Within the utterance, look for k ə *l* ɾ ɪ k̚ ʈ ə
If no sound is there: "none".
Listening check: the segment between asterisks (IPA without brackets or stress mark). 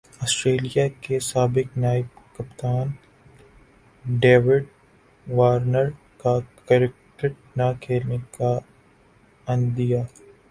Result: none